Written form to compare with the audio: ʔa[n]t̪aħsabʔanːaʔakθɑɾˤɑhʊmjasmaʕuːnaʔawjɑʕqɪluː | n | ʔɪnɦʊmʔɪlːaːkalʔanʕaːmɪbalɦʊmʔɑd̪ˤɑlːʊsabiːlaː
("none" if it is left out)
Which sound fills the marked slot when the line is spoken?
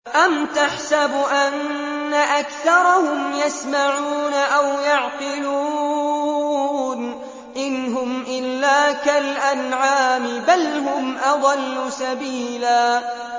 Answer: m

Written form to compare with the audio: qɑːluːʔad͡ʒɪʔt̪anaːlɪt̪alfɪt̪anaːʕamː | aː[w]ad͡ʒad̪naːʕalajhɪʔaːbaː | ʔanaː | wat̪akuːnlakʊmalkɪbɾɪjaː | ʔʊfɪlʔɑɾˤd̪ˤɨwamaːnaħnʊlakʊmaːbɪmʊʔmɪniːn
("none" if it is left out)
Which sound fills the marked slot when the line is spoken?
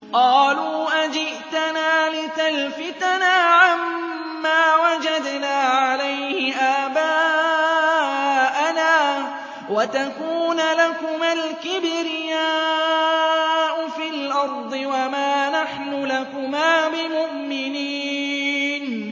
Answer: w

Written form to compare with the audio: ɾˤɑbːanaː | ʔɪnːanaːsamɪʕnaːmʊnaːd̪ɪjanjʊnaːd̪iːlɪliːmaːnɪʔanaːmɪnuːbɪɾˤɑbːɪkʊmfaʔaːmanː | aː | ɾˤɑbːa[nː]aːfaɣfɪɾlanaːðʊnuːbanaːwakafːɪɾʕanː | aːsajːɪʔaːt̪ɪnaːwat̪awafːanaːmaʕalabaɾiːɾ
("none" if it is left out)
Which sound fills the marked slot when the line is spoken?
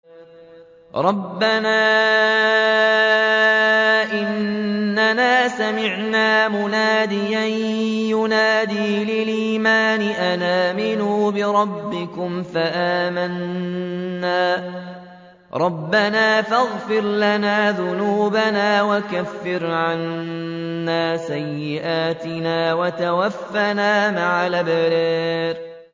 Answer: n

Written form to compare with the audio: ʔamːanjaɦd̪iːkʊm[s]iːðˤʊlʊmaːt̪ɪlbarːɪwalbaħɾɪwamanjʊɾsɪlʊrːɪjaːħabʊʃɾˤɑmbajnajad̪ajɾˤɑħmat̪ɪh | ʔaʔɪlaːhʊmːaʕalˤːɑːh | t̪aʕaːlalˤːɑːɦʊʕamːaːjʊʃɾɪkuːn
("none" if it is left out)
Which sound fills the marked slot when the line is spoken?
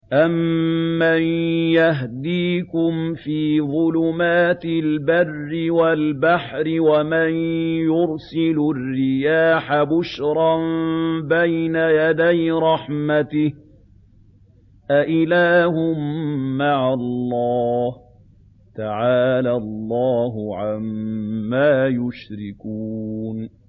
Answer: f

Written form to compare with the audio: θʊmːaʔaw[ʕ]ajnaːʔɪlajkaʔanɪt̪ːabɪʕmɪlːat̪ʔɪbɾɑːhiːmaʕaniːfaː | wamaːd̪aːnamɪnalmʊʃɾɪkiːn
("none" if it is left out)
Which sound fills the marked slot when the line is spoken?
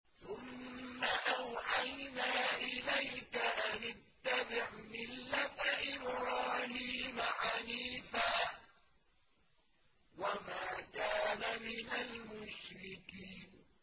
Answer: ʕ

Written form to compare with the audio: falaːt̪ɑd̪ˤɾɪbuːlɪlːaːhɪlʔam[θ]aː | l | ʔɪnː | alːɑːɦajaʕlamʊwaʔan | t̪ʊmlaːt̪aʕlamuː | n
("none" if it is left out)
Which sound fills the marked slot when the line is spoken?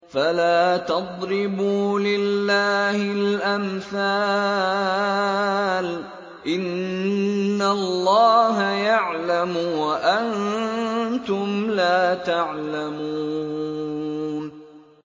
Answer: θ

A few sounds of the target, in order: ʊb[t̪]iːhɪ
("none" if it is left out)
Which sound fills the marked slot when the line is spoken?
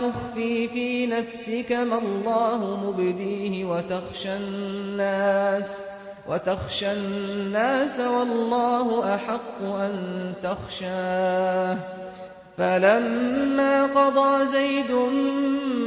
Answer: d̪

